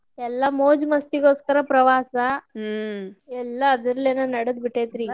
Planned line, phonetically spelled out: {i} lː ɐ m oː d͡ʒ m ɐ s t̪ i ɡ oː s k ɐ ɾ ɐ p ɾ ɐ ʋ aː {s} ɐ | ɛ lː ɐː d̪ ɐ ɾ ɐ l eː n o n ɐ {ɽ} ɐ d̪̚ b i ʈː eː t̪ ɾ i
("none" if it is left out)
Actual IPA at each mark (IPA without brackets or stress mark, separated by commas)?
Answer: ɛ, s, ɽ